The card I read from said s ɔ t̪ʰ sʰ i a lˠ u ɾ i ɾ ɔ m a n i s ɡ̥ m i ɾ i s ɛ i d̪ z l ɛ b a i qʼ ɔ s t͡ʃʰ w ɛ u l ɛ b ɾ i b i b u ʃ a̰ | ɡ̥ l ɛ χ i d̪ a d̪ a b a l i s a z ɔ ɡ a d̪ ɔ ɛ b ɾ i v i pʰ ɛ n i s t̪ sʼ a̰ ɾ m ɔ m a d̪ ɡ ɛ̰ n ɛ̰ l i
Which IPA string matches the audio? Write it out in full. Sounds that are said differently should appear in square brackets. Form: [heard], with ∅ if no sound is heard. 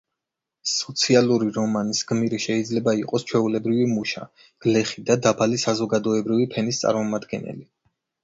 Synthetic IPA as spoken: s ɔ [t̪] sʰ i a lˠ u ɾ i ɾ ɔ m a n i s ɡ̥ m i ɾ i [ʃ] ɛ i d̪ z l ɛ b a i qʼ ɔ s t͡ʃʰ w ɛ u l ɛ b ɾ i [v] i [m] u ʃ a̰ | ɡ̥ l ɛ χ i d̪ a d̪ a b a l i s a z ɔ ɡ a d̪ ɔ ɛ b ɾ i v i pʰ ɛ n i s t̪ sʼ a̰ ɾ m ɔ m a d̪ ɡ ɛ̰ n ɛ̰ l i